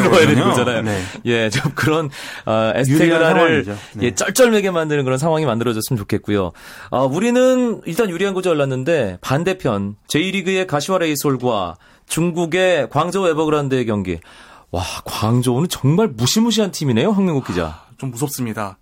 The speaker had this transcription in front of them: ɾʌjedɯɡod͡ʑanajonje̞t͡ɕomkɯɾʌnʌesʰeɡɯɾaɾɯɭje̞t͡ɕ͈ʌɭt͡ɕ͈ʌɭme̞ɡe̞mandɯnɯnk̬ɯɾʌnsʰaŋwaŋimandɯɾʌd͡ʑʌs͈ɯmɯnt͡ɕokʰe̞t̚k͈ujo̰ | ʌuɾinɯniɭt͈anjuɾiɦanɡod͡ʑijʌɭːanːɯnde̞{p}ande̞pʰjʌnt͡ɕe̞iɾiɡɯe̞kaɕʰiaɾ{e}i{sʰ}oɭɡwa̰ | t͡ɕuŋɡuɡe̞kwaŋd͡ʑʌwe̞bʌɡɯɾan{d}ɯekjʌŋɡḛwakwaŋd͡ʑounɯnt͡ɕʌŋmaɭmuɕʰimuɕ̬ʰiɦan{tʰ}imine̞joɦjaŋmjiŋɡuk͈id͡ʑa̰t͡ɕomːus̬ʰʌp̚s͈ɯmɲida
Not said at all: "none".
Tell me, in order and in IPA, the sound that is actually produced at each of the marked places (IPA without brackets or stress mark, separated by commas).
p, e, sʰ, d, tʰ